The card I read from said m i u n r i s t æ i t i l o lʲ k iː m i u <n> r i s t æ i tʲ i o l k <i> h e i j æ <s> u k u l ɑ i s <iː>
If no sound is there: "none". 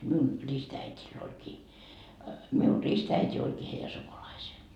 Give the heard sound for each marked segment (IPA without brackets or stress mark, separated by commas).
n, iː, s, eː